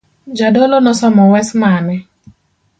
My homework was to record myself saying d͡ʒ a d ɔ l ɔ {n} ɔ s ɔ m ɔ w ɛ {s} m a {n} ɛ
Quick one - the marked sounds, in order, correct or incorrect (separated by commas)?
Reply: correct, correct, correct